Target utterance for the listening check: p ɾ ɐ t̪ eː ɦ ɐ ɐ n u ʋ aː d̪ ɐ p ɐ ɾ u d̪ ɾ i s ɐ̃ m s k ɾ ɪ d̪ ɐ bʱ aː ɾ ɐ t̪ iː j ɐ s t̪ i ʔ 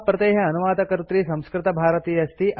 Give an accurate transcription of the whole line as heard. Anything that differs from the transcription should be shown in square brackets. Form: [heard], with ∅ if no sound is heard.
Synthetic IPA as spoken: p ɾ ɐ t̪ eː ɦ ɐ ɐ n u ʋ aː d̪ ɐ [k] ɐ ɾ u [t̪] ɾ i s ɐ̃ m s k ɾ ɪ [t̪] ɐ bʱ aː ɾ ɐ t̪ iː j ɐ s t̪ i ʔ

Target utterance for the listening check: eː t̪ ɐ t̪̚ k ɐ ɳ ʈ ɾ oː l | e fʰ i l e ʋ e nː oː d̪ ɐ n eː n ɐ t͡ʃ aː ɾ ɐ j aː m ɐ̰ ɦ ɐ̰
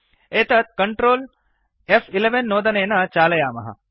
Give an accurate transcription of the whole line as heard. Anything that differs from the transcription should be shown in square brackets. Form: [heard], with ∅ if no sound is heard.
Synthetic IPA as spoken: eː t̪ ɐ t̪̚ k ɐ ɳ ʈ ɾ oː l | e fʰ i l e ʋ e nː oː d̪ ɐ n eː n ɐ t͡ʃ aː [l] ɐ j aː m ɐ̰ ɦ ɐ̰

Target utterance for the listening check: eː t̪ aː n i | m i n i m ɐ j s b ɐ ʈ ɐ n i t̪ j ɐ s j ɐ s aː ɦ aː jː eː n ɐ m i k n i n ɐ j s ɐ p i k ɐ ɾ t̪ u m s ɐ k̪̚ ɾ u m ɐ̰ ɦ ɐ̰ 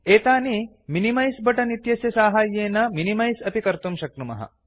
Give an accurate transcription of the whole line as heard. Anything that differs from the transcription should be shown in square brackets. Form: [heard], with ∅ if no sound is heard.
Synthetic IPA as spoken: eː t̪ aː n i | m i n i m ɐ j s b ɐ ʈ ɐ n i t̪ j ɐ s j ɐ s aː ɦ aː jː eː n ɐ m i [∅] n i [m] ɐ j s ɐ p i k ɐ ɾ t̪ u m [ʃ] ɐ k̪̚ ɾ u m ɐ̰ ɦ ɐ̰

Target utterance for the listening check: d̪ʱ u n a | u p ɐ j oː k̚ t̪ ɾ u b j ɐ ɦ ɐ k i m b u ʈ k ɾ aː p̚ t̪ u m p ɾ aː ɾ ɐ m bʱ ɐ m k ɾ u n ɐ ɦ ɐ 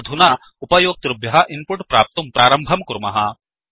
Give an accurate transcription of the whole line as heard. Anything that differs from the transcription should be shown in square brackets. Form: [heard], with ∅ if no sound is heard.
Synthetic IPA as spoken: d̪ʱ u n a | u p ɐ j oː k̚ t̪ ɾ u b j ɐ ɦ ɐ [ʔ] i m [p] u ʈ [p] ɾ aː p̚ t̪ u m p ɾ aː ɾ ɐ m bʱ ɐ m k ɾ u [m] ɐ ɦ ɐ

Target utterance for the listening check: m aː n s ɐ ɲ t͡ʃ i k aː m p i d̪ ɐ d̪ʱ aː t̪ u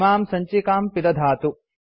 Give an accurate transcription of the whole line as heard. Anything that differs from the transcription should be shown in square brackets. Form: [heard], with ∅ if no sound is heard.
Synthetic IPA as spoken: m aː [m] s ɐ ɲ t͡ʃ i k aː m p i d̪ ɐ d̪ʱ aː t̪ u

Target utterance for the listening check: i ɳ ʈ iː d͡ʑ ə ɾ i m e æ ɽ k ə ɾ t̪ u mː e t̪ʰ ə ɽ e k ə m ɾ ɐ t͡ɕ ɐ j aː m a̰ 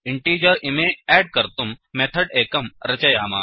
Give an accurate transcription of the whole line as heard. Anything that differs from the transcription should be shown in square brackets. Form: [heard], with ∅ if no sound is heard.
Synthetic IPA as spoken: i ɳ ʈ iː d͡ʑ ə ɾ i m e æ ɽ k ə ɾ t̪ u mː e t̪ʰ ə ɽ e k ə m ɾ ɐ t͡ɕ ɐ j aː m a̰

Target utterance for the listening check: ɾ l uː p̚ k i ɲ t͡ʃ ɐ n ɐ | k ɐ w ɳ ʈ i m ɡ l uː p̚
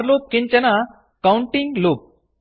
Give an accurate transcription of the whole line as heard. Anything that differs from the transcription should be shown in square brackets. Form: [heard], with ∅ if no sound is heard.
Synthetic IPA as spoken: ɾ l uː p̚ k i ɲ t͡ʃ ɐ n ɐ | k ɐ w ɳ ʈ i [ŋ] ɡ l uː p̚

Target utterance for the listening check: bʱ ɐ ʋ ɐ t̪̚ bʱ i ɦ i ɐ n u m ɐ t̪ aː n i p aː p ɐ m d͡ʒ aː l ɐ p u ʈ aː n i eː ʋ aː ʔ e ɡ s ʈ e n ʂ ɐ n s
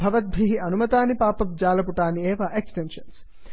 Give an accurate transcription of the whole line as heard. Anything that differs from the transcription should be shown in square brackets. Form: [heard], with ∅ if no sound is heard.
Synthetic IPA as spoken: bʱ ɐ ʋ ɐ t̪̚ bʱ i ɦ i ɐ n u m ɐ t̪ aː n i p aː p ɐ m d͡ʒ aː l ɐ p u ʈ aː n i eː ʋ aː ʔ e [k] s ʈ e n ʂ ɐ n s

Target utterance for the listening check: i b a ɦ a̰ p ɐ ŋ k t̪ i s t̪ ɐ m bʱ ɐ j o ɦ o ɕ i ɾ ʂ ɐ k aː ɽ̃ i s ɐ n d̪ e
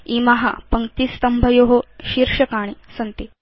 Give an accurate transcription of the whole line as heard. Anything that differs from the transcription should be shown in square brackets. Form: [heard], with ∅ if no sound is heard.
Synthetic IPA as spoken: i [m] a ɦ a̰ p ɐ ŋ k t̪ i s t̪ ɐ m bʱ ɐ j o ɦ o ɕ i ɾ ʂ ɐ k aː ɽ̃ i s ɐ n [t̪] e

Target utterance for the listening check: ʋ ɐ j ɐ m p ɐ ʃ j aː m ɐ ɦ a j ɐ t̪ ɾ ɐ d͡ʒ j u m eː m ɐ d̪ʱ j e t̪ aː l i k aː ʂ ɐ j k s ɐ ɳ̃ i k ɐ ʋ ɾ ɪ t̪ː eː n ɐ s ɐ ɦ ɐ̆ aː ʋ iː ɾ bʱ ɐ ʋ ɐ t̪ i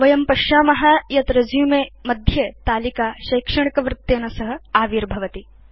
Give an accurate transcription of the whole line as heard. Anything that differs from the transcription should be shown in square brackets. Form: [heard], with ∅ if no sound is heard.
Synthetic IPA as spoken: ʋ ɐ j ɐ m p ɐ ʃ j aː m ɐ ɦ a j ɐ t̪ ɾ ɐ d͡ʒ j u m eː m ɐ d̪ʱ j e t̪ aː l i k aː [ʃ] ɐ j k [ʂ] ɐ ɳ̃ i k ɐ ʋ ɾ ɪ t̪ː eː n ɐ s ɐ ɦ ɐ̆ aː ʋ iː ɾ bʱ ɐ ʋ ɐ t̪ i

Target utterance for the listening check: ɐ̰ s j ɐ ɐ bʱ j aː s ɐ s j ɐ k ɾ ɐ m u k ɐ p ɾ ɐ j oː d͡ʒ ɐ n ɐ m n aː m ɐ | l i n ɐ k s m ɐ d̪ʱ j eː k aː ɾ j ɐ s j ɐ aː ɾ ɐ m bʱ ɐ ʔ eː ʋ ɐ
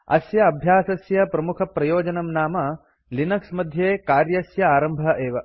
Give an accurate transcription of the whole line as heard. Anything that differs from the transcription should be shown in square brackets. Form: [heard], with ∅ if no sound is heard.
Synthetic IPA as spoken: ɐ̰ s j ɐ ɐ bʱ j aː s ɐ s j ɐ [p] ɾ ɐ m u [kʰ] ɐ p ɾ ɐ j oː d͡ʒ ɐ n ɐ m n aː m ɐ | l i n ɐ k s m ɐ d̪ʱ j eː k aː ɾ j ɐ s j ɐ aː ɾ ɐ m bʱ ɐ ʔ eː ʋ ɐ

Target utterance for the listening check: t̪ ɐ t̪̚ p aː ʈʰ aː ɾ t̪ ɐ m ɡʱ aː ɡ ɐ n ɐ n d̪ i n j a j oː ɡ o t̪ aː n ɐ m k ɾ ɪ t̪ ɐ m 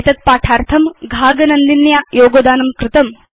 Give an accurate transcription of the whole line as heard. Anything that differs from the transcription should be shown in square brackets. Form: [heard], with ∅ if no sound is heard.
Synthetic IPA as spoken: t̪ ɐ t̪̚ p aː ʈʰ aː ɾ [t̪ʰ] ɐ m ɡʱ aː ɡ ɐ n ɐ n d̪ i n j a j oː ɡ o [d̪] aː n ɐ m k ɾ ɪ t̪ ɐ m

